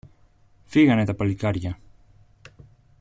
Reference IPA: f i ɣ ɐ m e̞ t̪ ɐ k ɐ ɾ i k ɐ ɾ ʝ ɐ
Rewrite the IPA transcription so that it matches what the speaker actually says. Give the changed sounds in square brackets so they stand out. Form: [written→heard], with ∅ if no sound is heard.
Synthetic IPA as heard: f i ɣ ɐ [m→n] e̞ t̪ ɐ [k→p] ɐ [ɾ→l] i k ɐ ɾ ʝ ɐ